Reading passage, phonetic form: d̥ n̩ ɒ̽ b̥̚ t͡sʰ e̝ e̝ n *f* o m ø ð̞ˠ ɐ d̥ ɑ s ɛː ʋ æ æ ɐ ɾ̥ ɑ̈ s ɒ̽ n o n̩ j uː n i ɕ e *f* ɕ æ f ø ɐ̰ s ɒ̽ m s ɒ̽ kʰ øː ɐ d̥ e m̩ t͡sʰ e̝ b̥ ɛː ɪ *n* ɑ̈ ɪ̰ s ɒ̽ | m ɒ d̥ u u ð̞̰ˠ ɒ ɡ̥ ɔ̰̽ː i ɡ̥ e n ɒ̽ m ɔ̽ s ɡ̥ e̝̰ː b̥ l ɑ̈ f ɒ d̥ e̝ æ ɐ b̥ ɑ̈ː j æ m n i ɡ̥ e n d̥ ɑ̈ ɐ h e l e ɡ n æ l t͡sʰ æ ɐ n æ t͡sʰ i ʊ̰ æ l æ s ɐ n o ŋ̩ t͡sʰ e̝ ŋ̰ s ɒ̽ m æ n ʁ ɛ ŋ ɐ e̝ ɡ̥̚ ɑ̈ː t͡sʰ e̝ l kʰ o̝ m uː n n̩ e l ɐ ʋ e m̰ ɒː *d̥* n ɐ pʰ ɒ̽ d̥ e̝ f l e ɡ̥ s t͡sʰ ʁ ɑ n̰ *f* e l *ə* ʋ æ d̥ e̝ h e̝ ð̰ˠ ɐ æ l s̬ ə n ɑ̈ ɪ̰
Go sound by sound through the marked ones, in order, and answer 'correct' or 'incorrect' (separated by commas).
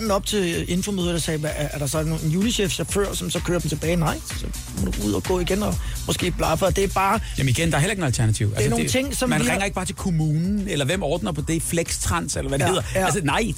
correct, correct, correct, correct, incorrect, incorrect